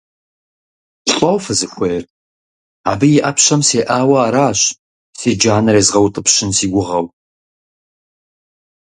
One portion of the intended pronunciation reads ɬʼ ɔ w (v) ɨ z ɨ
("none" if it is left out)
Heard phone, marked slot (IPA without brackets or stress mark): f